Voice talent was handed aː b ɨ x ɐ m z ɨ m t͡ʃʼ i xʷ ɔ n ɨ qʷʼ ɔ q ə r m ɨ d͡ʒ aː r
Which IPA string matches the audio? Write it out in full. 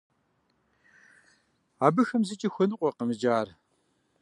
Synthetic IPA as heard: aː b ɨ x ɐ m z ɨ t͡ʃʼ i xʷ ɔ n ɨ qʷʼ ɔ q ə m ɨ d͡ʒ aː r